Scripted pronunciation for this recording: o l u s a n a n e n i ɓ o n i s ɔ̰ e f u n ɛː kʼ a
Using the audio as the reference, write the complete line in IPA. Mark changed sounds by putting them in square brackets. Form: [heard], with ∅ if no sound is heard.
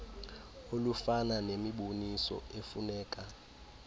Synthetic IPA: o l u [f] a n a n e [m] i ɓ o n i s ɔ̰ e f u n ɛː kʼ a